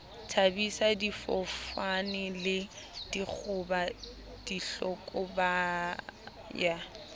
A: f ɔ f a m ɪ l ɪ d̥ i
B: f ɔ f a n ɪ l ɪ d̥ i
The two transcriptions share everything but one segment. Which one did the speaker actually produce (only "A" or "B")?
B